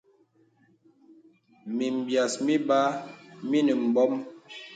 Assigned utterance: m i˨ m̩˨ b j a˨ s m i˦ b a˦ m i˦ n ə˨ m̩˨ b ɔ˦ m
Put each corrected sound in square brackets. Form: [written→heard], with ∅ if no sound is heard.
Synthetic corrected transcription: m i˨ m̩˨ b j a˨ s m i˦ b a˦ m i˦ n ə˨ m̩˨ b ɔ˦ m